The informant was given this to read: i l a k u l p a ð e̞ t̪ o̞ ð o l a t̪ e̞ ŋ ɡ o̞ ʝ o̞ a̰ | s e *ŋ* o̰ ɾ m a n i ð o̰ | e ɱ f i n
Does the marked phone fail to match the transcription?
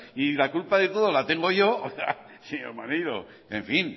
yes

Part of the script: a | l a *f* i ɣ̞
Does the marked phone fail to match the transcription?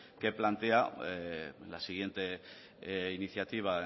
yes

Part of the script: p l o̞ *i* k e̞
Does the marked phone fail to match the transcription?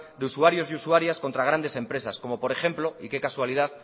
no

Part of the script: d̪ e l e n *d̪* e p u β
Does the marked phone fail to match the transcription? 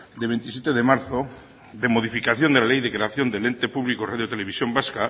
yes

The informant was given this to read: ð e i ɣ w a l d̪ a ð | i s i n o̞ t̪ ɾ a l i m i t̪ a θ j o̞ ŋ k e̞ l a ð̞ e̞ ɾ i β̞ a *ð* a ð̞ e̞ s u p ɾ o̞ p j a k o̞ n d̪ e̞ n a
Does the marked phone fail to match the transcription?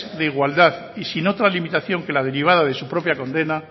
no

